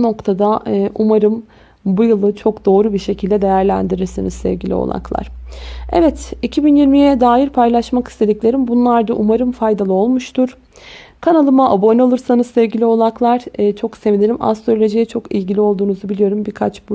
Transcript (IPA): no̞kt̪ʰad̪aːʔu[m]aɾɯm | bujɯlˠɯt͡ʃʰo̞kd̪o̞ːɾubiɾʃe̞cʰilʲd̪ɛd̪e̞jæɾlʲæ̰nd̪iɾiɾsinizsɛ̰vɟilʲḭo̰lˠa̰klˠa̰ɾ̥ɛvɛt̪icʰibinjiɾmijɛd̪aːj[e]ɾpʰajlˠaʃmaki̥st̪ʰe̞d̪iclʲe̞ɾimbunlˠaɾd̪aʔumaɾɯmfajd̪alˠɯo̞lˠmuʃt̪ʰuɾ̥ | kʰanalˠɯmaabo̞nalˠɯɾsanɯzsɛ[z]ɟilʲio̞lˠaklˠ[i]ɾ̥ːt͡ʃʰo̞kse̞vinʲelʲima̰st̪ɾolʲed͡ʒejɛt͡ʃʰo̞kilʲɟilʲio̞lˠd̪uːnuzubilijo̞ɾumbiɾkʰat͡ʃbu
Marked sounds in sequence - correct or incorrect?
correct, incorrect, incorrect, incorrect

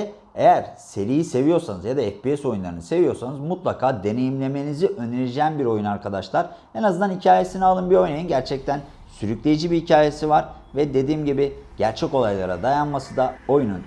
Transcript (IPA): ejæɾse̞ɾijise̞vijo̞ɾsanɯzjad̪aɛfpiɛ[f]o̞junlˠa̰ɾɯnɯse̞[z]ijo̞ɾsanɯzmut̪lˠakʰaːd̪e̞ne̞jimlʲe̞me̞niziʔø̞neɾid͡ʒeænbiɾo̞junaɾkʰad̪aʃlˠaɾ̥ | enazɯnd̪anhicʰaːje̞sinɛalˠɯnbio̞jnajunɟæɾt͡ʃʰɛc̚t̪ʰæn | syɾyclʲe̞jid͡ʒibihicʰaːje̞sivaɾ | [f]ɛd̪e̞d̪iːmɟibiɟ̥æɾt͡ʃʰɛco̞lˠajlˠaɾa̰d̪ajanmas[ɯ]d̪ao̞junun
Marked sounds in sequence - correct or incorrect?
incorrect, incorrect, incorrect, correct

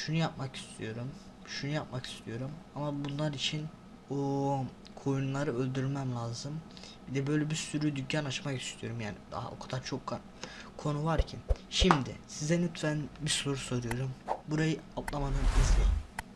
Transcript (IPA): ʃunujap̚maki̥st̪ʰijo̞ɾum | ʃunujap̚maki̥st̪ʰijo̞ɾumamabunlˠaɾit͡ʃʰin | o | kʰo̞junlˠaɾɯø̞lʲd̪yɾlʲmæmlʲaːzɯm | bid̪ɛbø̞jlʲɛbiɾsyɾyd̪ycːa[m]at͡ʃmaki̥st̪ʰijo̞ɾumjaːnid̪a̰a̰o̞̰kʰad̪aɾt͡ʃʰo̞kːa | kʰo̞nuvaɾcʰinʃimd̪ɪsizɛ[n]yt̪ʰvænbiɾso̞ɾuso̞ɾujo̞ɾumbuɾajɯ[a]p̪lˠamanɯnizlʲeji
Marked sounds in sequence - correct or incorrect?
incorrect, correct, correct

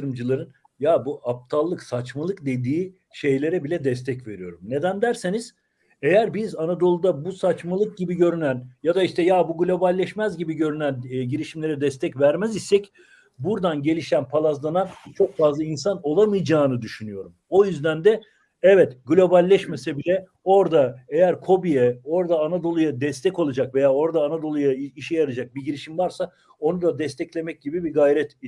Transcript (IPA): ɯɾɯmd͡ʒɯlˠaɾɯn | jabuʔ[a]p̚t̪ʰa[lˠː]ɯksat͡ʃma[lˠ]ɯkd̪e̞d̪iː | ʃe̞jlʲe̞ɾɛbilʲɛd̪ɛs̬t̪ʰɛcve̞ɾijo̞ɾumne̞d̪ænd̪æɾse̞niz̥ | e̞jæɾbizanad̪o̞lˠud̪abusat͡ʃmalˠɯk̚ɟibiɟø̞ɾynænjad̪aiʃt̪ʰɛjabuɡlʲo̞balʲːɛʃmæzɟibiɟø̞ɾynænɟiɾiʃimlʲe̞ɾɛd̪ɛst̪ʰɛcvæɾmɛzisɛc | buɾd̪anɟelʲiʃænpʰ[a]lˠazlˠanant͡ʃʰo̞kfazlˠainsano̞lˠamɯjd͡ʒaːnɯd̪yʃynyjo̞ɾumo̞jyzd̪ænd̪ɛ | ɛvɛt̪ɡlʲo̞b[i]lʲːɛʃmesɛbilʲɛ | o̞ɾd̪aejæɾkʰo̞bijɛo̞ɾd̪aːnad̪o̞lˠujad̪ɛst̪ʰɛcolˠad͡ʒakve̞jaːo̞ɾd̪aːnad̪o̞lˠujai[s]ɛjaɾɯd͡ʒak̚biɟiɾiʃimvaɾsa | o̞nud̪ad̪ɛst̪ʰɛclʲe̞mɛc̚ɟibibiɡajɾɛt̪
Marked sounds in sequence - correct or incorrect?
correct, correct, correct, correct, incorrect, incorrect

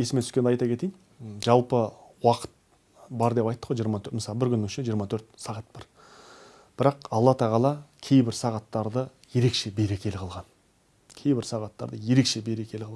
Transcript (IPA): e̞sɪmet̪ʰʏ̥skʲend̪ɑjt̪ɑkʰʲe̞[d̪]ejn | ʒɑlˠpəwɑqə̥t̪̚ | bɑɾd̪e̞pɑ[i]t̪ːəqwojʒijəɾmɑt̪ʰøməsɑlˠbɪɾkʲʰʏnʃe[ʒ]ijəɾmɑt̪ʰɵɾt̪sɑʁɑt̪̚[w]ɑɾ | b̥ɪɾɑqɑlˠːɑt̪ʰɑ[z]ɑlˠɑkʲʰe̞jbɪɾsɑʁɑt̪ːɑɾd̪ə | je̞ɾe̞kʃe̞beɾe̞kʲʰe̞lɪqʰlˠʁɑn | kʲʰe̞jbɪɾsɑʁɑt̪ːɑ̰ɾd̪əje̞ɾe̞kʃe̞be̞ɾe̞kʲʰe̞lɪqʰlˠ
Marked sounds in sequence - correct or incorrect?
incorrect, incorrect, correct, incorrect, incorrect

